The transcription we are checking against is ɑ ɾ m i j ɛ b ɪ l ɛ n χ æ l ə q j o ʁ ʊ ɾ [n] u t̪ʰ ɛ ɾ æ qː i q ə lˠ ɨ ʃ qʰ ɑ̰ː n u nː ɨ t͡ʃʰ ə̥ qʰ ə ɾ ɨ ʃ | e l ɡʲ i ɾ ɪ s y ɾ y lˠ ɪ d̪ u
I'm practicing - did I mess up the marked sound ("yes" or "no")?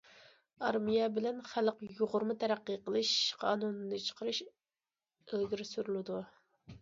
yes